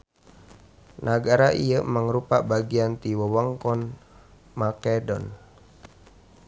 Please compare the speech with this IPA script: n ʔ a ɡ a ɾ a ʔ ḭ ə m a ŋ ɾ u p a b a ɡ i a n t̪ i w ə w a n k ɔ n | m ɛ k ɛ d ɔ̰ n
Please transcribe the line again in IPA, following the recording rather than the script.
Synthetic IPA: n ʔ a ɡ a ɾ a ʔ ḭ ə m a ŋ ɾ u p a b a ɡ i a n t̪ i w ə w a ŋ k ɔ n | m a k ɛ d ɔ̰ n